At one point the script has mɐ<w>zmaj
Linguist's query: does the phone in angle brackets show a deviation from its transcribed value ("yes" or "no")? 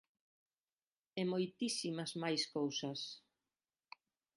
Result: yes